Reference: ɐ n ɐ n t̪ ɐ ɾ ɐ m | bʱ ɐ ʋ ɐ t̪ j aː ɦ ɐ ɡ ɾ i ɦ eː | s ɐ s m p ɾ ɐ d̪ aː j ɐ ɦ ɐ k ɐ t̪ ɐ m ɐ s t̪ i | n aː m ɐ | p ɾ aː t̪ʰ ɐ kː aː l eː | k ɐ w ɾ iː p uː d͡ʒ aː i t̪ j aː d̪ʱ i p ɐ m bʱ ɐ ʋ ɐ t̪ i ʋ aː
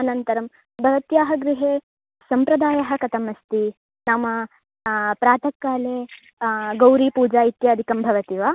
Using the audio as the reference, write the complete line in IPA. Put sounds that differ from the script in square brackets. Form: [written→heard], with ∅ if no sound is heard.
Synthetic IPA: ɐ n ɐ n t̪ ɐ ɾ ɐ m | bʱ ɐ ʋ ɐ t̪ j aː ɦ ɐ ɡ ɾ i ɦ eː | s ɐ [s→∅] m p ɾ ɐ d̪ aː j ɐ ɦ ɐ k ɐ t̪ ɐ m ɐ s t̪ i | n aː m ɐ | p ɾ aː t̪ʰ ɐ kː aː l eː | [k→ɡ] ɐ w ɾ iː p uː d͡ʒ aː i t̪ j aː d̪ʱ i [p→k] ɐ m bʱ ɐ ʋ ɐ t̪ i ʋ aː